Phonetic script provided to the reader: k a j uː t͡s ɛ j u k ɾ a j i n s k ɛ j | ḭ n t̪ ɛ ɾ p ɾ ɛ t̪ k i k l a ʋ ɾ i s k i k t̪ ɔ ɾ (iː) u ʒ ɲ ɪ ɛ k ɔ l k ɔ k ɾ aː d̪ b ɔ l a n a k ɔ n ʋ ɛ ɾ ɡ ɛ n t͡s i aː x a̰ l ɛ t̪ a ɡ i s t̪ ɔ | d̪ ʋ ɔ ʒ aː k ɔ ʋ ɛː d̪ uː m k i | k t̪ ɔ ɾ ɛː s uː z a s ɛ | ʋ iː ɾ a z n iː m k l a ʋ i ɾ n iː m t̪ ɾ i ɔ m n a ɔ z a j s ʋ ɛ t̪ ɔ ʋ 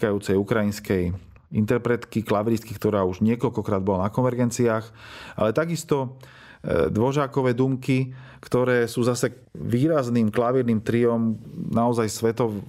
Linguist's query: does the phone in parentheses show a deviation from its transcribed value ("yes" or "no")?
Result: yes